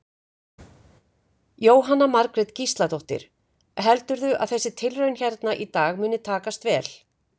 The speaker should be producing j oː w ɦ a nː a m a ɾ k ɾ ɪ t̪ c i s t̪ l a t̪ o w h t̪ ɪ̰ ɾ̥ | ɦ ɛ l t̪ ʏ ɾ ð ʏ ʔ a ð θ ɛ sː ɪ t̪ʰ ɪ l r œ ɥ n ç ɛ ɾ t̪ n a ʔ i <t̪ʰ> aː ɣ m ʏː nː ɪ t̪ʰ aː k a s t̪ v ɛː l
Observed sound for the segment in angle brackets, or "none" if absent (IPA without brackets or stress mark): t̪